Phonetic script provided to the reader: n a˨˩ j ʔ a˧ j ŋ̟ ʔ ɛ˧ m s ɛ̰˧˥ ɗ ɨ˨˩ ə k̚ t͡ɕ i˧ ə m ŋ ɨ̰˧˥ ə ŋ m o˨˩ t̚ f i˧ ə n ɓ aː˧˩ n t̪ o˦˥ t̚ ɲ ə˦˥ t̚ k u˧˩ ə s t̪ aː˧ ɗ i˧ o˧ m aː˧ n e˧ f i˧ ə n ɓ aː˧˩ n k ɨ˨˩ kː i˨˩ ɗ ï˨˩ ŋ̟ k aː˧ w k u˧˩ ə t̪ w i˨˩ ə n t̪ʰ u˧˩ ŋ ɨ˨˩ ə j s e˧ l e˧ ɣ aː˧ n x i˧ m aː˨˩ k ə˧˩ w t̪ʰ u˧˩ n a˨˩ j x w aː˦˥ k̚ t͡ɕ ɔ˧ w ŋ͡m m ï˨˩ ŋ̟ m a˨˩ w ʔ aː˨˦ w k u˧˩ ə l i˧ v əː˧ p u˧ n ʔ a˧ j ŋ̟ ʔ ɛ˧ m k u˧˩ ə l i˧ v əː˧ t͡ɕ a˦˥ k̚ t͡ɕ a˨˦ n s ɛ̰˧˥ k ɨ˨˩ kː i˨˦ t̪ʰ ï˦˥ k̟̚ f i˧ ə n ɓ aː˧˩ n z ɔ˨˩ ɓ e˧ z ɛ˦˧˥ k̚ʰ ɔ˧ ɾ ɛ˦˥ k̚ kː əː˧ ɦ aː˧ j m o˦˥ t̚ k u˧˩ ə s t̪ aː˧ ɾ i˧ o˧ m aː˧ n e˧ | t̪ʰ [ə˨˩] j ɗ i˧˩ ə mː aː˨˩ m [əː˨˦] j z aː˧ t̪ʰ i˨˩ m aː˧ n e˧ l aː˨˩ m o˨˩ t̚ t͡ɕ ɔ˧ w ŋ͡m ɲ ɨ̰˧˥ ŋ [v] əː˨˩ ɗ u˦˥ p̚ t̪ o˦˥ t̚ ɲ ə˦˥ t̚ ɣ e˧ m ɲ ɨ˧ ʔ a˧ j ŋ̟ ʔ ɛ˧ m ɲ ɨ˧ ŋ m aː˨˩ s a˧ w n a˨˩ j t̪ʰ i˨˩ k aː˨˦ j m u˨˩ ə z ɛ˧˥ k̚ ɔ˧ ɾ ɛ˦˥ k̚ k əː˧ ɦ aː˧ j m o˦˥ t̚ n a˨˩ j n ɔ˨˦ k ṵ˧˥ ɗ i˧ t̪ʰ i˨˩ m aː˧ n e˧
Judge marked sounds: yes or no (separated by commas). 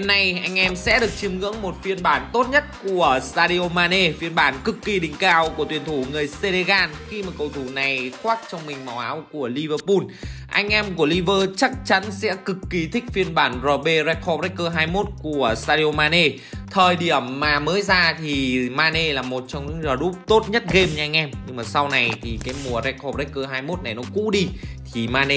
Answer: no, yes, no